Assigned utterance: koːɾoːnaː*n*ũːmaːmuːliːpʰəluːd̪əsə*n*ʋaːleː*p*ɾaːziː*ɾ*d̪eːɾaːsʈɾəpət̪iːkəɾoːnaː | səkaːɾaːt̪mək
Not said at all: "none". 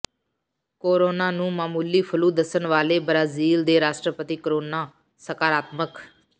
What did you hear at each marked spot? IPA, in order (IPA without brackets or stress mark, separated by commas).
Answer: n, n, b, l